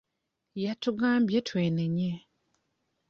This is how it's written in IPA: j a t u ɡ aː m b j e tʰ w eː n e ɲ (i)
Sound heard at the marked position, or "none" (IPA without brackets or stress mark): e